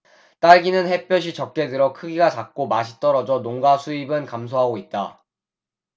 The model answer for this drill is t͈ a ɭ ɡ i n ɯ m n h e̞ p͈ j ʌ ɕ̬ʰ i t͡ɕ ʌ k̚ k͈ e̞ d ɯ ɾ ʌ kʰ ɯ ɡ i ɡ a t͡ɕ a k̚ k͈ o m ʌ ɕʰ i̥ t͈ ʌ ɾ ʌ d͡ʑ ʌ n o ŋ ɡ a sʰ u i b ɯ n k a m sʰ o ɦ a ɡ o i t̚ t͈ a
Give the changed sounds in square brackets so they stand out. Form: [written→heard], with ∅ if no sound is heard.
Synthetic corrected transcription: t͈ a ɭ ɡ i n ɯ [m→∅] n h e̞ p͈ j ʌ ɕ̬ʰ i t͡ɕ ʌ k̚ k͈ e̞ d ɯ ɾ ʌ kʰ ɯ ɡ i ɡ a t͡ɕ a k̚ k͈ o m [ʌ→a] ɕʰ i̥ t͈ ʌ ɾ ʌ d͡ʑ ʌ n o ŋ ɡ a sʰ u i b ɯ n k a m sʰ o ɦ a ɡ o i t̚ t͈ a